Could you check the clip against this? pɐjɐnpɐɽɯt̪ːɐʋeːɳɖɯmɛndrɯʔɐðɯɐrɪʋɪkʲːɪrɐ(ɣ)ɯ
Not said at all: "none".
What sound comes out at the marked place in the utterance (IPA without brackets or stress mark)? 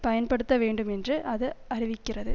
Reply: ð